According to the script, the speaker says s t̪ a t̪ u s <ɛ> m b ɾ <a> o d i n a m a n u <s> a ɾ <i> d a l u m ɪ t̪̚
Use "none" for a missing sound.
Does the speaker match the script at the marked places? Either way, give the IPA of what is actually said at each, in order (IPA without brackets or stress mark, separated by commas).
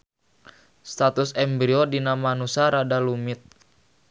ɛ, i, s, a